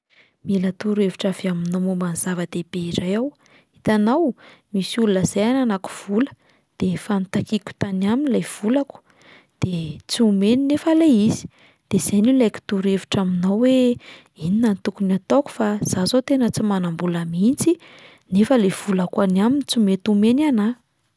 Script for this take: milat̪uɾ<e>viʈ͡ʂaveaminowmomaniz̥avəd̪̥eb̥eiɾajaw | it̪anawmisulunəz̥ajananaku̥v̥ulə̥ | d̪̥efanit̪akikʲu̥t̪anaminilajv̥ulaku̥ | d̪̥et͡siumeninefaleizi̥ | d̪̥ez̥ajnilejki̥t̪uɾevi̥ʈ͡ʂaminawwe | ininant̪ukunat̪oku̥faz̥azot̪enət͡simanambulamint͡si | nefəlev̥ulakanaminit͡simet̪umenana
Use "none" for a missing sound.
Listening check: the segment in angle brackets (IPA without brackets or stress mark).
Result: e